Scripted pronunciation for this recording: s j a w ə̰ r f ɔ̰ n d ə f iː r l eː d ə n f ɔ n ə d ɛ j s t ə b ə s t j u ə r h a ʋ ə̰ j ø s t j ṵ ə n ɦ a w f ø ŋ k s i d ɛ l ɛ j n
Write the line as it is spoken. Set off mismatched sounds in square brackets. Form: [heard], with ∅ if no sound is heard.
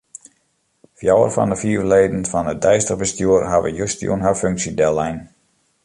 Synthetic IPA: [f] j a w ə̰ r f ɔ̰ n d ə f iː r l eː d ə n f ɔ n ə d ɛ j s t ə b ə s t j u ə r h a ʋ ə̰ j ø s t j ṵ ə n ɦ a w f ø ŋ k s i d ɛ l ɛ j n